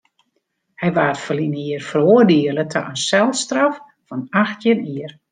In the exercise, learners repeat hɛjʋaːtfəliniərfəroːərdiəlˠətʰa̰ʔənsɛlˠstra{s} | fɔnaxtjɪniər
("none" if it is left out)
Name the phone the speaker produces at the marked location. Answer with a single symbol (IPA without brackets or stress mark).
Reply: f